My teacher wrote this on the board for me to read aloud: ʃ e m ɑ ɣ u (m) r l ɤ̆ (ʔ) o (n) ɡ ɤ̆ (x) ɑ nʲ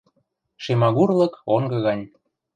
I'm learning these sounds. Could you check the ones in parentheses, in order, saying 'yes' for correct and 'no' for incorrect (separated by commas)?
no, no, no, no